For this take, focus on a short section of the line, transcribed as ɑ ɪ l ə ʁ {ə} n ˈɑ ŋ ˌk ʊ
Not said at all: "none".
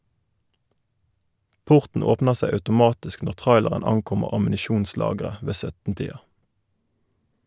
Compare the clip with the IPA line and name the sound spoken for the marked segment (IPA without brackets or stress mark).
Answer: ə